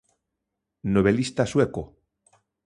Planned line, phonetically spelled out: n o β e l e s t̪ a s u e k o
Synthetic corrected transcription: n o β e l i s t̪ a s w e k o